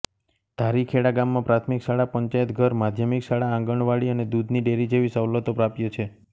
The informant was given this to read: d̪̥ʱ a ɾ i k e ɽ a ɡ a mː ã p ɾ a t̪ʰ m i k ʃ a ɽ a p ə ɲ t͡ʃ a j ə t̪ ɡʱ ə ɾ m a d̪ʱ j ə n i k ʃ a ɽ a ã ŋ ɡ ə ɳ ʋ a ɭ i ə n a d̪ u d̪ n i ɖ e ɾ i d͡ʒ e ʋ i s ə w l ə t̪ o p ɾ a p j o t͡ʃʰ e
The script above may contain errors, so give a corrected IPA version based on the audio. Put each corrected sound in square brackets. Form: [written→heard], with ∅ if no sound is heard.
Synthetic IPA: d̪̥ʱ a ɾ i [k→kʰ] e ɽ a ɡ a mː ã p ɾ a t̪ʰ m i k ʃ a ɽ a p ə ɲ t͡ʃ a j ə t̪ ɡʱ ə ɾ m a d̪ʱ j ə [n→m] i k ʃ a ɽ a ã ŋ ɡ ə ɳ ʋ a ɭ i ə n [a→e] d̪ u d̪ n i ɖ e ɾ i d͡ʒ e ʋ i s ə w l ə t̪ o p ɾ a p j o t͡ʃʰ e